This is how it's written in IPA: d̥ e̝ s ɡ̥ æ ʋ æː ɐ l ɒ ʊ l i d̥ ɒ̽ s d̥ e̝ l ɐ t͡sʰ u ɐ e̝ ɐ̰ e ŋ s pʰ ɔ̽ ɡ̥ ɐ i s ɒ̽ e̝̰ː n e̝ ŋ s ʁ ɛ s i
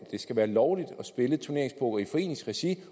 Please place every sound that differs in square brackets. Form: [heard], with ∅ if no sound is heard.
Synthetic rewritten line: d̥ e̝ s ɡ̥ æ ʋ æː ɐ l ɒ ʊ l i d̥ ɒ̽ s [b̥] e̝ l [ə] t͡sʰ u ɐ e̝ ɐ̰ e ŋ s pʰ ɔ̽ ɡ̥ ɐ i [f] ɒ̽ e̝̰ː n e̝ ŋ s ʁ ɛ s i